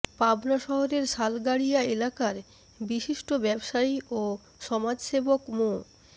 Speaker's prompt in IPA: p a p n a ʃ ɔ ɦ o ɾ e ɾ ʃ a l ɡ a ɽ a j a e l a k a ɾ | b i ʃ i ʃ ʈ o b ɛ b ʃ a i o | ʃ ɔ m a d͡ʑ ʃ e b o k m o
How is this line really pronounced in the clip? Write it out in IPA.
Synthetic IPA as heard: p a b n a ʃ ɔ ɦ o ɾ e ɾ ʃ a l ɡ a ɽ i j a e l a k a ɾ | b i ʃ i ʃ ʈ o b ɛ b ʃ a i o | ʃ ɔ m a d͡ʑ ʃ e b o k m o